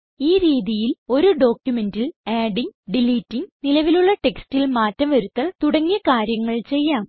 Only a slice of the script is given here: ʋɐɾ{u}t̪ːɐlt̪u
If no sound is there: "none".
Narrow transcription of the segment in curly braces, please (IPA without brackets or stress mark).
u